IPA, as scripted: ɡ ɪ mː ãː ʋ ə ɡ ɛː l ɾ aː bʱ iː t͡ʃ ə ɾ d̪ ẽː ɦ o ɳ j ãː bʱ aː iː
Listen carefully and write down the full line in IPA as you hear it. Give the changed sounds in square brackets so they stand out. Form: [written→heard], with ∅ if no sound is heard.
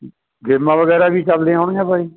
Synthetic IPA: ɡ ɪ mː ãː ʋ ə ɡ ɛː [l→∅] ɾ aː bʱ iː t͡ʃ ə [ɾ→l] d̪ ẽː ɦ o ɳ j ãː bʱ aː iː